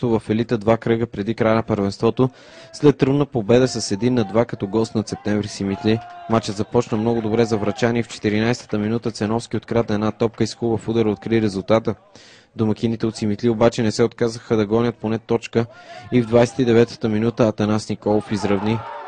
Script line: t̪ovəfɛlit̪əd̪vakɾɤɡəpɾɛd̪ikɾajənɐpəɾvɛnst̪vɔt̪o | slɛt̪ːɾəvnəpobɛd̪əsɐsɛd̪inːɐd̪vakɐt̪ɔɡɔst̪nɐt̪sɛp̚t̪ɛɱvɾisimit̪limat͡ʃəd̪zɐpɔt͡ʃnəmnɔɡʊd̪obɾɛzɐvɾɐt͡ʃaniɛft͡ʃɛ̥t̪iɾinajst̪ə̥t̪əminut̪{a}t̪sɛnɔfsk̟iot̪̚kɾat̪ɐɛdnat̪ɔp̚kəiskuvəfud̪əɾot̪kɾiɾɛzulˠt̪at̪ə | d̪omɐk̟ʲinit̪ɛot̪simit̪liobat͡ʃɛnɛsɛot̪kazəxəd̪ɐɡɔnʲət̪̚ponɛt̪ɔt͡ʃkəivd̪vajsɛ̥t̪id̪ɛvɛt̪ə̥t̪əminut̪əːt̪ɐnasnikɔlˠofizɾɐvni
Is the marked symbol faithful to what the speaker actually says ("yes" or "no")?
no